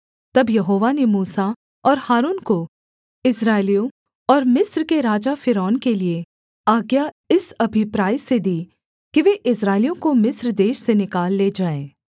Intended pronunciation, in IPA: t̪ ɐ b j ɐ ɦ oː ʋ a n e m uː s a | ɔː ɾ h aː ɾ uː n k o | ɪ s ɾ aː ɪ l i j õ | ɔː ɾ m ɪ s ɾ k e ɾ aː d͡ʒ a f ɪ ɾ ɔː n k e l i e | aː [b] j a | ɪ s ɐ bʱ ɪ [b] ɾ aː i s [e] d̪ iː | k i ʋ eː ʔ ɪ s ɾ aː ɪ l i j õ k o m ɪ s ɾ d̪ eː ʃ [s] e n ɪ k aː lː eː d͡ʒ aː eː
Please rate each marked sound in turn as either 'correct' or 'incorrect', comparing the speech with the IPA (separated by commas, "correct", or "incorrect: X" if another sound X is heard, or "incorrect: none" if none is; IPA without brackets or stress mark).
incorrect: ɡ, incorrect: p, correct, correct